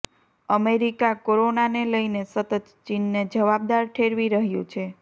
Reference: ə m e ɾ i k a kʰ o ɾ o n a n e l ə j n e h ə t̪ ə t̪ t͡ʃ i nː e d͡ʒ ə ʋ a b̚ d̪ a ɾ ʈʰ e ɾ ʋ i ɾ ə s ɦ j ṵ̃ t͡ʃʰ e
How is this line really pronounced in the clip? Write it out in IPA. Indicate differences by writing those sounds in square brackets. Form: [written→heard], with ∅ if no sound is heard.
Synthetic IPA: ə m e ɾ i k a [kʰ→k] o ɾ o n a n e l ə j n e [h→s] ə t̪ ə t̪ t͡ʃ i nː e d͡ʒ ə ʋ a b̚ d̪ a ɾ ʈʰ e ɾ ʋ i ɾ ə [s→∅] ɦ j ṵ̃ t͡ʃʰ e

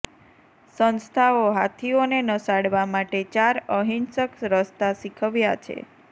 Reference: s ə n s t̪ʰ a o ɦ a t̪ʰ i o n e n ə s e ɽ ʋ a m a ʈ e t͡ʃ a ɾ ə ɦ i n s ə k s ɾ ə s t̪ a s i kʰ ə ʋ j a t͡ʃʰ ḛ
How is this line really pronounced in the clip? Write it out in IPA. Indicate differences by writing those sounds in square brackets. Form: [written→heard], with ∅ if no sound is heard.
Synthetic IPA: s ə n s t̪ʰ a o ɦ a t̪ʰ i o n e n ə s [e→a] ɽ ʋ a m a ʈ e t͡ʃ a ɾ ə ɦ i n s ə k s ɾ ə s t̪ a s i kʰ ə ʋ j a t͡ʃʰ ḛ

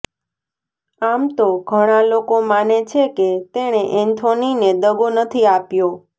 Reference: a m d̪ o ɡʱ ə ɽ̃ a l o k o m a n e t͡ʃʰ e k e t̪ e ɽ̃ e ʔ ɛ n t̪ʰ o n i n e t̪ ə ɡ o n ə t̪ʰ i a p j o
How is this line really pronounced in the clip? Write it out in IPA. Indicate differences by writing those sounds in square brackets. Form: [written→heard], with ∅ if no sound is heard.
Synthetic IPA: a m [d̪→t̪] o ɡʱ ə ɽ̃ a l o k o m a n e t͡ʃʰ e k e t̪ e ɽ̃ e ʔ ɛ n t̪ʰ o n i n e [t̪→d̪] ə ɡ o n ə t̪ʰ i a p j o

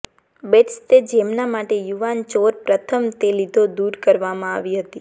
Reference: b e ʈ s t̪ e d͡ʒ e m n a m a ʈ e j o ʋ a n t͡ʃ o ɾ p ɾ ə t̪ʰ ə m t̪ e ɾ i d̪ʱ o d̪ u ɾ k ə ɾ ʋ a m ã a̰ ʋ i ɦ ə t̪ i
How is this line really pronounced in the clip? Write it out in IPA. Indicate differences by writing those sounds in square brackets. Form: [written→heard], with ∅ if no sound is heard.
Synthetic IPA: b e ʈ s t̪ e d͡ʒ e m n a m a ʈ e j [o→u] ʋ a n t͡ʃ o ɾ p ɾ ə t̪ʰ ə m t̪ e [ɾ→l] i d̪ʱ o d̪ u ɾ k ə ɾ ʋ a m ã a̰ ʋ i ɦ ə t̪ i

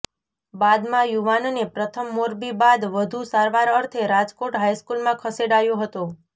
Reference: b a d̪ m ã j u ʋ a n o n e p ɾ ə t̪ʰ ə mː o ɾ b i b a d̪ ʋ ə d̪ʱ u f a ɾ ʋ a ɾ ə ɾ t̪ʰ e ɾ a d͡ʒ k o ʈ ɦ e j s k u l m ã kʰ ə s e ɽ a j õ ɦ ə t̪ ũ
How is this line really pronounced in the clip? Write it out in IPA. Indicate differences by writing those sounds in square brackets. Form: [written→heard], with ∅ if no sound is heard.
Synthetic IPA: b a d̪ m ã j u ʋ a n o n e p ɾ ə t̪ʰ ə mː o ɾ b i b a d̪ ʋ ə d̪ʱ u [f→s] a ɾ ʋ a ɾ ə ɾ t̪ʰ e ɾ a d͡ʒ k o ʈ ɦ [e→a] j s k u l m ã kʰ ə s e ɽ a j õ ɦ ə t̪ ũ

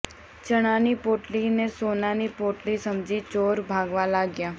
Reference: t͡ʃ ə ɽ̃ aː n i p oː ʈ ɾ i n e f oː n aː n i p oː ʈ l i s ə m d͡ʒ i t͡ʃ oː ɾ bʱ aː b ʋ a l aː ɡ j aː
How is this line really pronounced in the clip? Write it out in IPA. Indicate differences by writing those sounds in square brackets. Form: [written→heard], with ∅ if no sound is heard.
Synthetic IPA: t͡ʃ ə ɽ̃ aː n i p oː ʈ [ɾ→l] i n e [f→s] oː n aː n i p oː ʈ l i s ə m d͡ʒ i t͡ʃ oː ɾ bʱ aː [b→ɡ] ʋ a l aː ɡ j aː

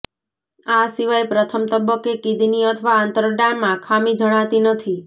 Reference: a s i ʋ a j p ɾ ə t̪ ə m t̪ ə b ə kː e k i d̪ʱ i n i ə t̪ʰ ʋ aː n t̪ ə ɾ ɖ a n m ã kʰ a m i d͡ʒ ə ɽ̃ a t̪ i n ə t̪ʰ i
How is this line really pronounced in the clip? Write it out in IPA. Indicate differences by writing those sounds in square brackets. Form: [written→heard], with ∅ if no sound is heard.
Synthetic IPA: a s i ʋ a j p ɾ ə [t̪→t̪ʰ] ə m t̪ ə b ə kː e k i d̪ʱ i n i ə t̪ʰ ʋ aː n t̪ ə ɾ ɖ a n m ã kʰ a m i d͡ʒ ə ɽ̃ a t̪ i n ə t̪ʰ i

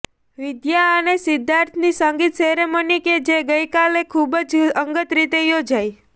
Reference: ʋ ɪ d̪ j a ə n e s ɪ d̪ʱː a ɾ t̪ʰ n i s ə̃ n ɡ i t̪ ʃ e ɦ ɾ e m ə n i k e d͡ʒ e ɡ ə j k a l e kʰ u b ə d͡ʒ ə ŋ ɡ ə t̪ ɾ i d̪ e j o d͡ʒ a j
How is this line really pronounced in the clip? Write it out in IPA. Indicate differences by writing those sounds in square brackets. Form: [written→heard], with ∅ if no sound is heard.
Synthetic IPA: ʋ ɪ d̪ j a ə n e s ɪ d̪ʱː a ɾ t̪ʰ n i s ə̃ [n→ŋ] ɡ i t̪ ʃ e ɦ ɾ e m ə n i k e d͡ʒ e ɡ ə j k a l e kʰ u b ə d͡ʒ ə ŋ ɡ ə t̪ ɾ i [d̪→t̪] e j o d͡ʒ a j

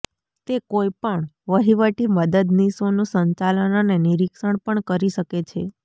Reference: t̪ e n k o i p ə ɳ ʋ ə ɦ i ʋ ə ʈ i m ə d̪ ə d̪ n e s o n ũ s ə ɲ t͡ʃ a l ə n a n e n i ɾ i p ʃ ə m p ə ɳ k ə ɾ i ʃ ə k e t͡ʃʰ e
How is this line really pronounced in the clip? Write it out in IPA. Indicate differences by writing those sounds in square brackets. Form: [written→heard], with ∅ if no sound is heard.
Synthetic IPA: t̪ e [n→∅] k o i p ə ɳ ʋ ə ɦ i ʋ ə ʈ i m ə d̪ ə d̪ n [e→i] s o n ũ s ə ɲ t͡ʃ a l ə n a n e n i ɾ i [p→k] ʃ ə [m→ɳ] p ə ɳ k ə ɾ i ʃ ə k e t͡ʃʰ e

